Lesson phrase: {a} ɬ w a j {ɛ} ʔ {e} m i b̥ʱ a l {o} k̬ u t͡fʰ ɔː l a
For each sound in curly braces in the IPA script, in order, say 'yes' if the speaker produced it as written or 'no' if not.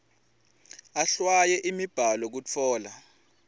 yes, yes, no, no

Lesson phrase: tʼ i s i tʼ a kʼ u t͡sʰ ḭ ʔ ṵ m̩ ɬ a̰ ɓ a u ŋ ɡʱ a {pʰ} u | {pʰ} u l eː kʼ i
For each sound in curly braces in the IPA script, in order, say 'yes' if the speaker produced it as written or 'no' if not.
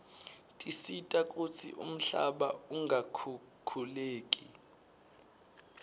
no, no

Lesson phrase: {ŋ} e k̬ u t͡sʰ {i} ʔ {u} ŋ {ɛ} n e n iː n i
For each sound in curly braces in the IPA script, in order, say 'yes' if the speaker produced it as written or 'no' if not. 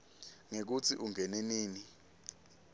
yes, yes, yes, yes

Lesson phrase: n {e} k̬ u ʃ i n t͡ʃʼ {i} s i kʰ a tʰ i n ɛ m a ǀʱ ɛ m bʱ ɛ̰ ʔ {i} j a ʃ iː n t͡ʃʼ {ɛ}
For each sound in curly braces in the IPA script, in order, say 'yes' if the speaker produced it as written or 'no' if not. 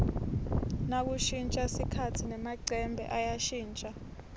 no, no, no, no

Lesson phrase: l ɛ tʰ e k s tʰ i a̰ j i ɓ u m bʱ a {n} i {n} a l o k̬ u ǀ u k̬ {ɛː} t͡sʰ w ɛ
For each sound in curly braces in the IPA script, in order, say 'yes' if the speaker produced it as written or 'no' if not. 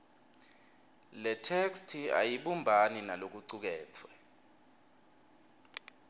yes, yes, yes

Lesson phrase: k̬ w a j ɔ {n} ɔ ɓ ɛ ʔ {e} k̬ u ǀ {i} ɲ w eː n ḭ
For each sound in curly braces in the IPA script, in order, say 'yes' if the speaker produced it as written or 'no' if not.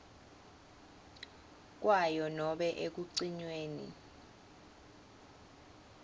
yes, yes, yes

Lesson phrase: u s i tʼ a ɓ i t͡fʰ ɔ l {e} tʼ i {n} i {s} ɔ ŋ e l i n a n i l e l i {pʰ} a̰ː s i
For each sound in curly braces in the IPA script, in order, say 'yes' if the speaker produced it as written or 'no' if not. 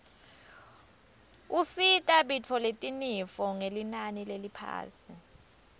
yes, yes, no, yes

